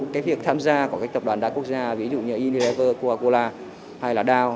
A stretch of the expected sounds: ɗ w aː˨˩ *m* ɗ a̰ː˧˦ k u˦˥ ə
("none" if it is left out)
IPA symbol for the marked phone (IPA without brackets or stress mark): n